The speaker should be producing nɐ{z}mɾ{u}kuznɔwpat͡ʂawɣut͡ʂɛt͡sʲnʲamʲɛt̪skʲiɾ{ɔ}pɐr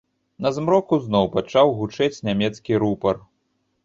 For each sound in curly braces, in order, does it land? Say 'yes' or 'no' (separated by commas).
yes, no, no